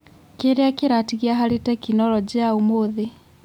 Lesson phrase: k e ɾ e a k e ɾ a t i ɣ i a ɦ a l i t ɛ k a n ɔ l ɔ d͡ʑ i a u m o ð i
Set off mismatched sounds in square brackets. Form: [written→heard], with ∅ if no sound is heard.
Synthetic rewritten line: k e ɾ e a k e ɾ a t i ɣ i a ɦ a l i t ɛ k [a→i] n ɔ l ɔ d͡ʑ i a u m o ð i

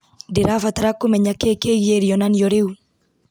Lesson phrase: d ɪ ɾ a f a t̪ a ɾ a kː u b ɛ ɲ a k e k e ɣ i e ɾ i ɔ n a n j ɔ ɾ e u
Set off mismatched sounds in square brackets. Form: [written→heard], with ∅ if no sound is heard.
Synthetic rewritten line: d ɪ ɾ a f a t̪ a ɾ a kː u [b→m] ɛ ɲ a k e k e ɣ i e ɾ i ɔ n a n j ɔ ɾ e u

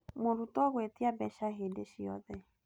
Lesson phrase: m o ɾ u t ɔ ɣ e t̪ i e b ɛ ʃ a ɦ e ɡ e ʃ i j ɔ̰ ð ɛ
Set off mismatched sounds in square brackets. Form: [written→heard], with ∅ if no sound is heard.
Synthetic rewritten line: m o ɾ u t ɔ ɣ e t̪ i [e→a] b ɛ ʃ a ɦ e [ɡ→d] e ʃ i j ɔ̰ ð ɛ

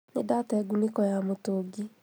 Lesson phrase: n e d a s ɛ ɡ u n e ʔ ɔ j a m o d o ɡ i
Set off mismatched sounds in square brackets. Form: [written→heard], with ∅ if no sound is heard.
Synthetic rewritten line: n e d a [s→t] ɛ ɡ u n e [ʔ→k] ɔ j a m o [d→t] o ɡ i

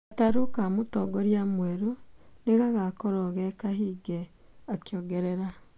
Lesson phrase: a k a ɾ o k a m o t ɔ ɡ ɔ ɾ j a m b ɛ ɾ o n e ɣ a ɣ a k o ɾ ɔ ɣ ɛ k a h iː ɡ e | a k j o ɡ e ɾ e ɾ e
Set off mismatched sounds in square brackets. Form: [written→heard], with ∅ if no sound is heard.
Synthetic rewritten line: a [k→t] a ɾ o k a m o t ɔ ɡ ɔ ɾ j a m [b→w] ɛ ɾ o n e ɣ a ɣ a k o ɾ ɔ ɣ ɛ k a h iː ɡ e | a k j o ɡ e ɾ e ɾ [e→a]

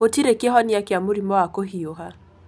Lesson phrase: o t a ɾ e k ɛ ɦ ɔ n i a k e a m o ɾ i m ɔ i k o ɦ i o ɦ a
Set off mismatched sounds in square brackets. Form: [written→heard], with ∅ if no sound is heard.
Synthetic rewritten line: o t [a→i] ɾ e k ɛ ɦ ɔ n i a k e a m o ɾ i m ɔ [i→a] k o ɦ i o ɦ a

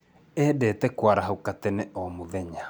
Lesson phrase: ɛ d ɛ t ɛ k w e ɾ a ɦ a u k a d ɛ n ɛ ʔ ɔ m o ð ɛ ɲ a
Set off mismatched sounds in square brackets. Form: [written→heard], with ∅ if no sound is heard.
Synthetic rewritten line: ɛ d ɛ t ɛ k w [e→a] ɾ a ɦ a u k a [d→t] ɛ n ɛ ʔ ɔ m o ð ɛ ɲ a

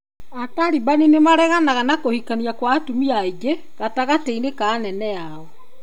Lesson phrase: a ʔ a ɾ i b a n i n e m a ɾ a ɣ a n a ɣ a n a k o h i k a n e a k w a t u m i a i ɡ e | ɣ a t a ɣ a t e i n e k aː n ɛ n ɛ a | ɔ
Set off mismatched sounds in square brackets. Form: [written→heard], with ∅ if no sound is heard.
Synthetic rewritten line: a [ʔ→t] a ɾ i b a n i n e m a ɾ [a→ɛ] ɣ a n a ɣ a n a k o h i k a n [e→i] a k w a t u m i a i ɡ e | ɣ a t a ɣ a t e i n e k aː n ɛ n ɛ a | ɔ

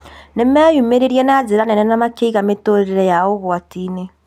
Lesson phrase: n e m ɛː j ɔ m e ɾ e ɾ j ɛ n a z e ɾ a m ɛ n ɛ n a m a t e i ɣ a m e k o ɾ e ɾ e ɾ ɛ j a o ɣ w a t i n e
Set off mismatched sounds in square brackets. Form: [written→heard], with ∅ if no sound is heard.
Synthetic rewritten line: n e m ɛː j [ɔ→u] m e ɾ e ɾ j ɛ n a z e ɾ a [m→n] ɛ n ɛ n a m a [t→k] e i ɣ a m e [k→t] o ɾ e ɾ e ɾ ɛ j a o ɣ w a t i n e

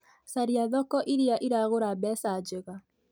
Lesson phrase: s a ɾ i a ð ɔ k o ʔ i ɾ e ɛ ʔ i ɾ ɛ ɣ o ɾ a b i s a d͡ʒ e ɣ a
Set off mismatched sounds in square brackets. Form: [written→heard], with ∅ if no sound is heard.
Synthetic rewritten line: s a ɾ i a ð ɔ k [o→ɔ] ʔ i ɾ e [ɛ→a] ʔ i ɾ [ɛ→a] ɣ o ɾ a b [i→ɛ] s a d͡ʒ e ɣ a

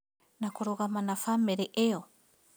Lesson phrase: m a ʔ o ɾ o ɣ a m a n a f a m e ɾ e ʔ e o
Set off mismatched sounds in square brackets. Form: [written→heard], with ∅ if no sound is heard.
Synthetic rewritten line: [m→n] a [ʔ→k] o ɾ o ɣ a m a n a f a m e ɾ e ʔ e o

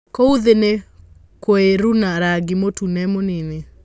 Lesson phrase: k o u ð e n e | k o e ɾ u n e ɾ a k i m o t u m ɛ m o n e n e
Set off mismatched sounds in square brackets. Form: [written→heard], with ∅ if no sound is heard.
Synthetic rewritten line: k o u ð e n e | k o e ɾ u n [e→a] ɾ a [k→ɡ] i m o t u [m→n] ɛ m o n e n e

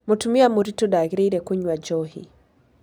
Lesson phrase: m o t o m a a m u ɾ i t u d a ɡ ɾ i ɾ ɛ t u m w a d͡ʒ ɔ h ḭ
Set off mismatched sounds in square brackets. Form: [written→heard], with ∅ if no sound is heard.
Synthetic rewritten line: m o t [o→u] m [a→i] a m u ɾ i t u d a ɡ ɾ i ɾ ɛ [t→k] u [m→ɲ] w a d͡ʒ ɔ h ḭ

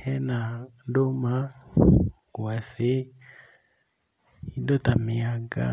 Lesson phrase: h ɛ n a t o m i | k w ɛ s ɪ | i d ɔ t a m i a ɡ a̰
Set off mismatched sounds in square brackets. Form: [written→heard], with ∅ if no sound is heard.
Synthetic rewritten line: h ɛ n a [t→d] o m [i→a] | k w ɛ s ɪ | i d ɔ t a m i a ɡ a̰

